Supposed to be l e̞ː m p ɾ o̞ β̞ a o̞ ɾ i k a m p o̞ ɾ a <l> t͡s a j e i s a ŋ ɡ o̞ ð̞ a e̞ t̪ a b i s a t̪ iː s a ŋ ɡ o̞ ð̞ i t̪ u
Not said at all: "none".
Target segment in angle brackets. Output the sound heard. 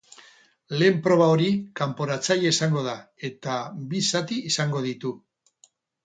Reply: none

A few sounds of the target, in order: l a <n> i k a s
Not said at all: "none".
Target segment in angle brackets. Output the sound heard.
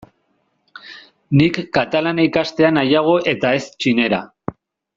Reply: n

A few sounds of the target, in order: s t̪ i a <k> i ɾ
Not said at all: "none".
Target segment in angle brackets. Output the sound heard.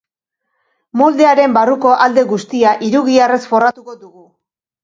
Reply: ʔ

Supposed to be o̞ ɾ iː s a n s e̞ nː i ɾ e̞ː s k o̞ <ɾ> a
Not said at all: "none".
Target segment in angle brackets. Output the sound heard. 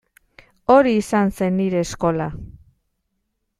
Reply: l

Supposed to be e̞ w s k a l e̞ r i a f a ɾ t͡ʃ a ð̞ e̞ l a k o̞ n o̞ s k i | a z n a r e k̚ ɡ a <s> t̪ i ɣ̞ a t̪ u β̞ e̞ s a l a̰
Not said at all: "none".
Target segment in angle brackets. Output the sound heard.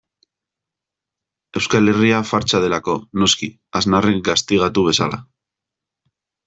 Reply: s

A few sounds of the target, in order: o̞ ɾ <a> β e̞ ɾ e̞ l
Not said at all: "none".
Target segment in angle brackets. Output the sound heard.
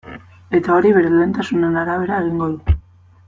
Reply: i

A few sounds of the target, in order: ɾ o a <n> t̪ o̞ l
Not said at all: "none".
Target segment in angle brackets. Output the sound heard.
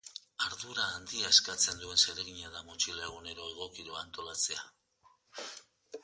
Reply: n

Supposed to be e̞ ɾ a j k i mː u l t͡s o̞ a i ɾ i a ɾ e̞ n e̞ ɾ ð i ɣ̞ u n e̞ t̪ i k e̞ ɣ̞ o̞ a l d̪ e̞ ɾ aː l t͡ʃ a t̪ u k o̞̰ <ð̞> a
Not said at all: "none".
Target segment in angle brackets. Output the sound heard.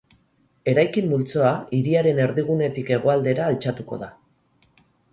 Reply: ð̞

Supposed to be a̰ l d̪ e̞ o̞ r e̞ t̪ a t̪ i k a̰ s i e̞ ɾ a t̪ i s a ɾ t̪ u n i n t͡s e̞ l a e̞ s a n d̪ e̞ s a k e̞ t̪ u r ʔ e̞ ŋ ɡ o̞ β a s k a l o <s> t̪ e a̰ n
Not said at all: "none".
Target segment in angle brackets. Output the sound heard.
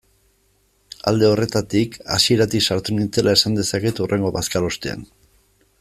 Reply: s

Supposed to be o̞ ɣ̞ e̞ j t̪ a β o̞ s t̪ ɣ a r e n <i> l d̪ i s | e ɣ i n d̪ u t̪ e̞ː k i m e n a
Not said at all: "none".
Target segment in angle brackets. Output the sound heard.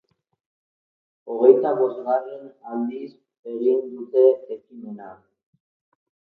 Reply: a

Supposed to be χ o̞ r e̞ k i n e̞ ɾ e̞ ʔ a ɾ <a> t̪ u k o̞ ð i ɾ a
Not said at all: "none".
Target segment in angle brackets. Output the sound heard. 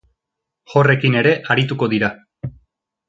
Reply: i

